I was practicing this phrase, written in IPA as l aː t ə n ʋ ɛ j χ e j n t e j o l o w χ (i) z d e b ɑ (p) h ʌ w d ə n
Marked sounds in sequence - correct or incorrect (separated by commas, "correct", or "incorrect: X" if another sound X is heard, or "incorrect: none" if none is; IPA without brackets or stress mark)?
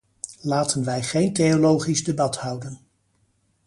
correct, incorrect: t